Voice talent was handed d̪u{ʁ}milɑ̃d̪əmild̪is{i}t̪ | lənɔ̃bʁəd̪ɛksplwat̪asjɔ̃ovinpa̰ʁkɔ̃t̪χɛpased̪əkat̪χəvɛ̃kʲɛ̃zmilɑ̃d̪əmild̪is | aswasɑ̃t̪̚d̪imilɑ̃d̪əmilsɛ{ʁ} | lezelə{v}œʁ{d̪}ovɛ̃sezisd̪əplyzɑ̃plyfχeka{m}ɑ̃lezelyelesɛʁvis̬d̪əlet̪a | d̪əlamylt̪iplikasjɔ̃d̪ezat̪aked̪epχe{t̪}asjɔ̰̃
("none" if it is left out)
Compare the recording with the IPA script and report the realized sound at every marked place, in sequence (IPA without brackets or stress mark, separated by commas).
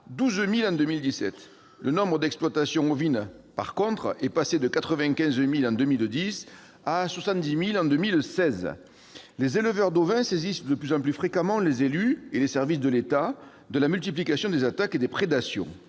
z, ɛ, z, v, d̪, m, d̪